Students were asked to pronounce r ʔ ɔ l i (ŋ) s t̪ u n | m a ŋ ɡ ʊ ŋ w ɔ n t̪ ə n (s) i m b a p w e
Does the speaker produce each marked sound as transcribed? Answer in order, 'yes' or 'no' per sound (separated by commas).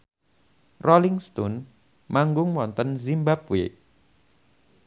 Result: yes, no